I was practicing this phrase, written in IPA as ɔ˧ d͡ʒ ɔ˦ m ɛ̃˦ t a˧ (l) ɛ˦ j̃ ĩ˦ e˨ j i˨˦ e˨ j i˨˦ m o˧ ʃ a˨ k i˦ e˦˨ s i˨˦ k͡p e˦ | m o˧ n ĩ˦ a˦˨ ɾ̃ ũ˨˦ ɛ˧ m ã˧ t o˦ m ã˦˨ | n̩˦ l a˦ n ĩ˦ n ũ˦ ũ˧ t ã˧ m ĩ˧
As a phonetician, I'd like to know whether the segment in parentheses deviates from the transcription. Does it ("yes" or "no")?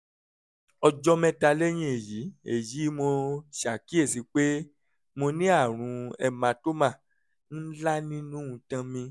no